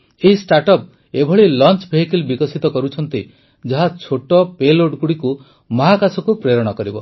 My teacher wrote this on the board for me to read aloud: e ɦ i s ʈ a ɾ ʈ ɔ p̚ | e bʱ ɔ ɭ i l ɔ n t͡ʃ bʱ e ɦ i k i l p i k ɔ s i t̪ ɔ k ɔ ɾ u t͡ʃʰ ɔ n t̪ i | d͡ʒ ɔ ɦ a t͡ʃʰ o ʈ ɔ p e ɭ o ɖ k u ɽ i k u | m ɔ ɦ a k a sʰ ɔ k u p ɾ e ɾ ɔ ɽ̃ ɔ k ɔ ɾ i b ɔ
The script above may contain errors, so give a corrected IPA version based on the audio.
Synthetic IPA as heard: e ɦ i s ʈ a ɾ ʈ ɔ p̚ | e bʱ ɔ ɭ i l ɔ n t͡ʃ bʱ e ɦ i k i l b i k ɔ s i t̪ ɔ k ɔ ɾ u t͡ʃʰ ɔ n t̪ i | d͡ʒ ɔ ɦ a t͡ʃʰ o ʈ ɔ p e l o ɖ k u ɽ i k u | m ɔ ɦ a k a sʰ ɔ k u p ɾ e ɾ ɔ ɽ̃ ɔ k ɔ ɾ i b ɔ